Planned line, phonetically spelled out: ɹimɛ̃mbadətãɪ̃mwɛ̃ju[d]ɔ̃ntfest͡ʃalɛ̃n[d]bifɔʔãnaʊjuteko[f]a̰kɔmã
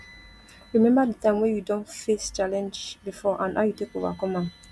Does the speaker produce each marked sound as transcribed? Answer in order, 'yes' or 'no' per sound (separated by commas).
yes, no, no